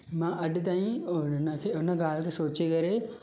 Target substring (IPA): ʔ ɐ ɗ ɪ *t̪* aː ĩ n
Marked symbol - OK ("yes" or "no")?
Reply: yes